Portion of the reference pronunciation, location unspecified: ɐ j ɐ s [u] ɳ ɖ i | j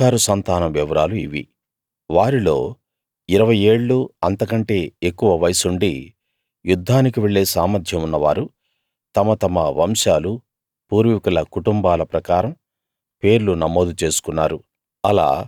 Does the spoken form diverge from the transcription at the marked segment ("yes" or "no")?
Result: no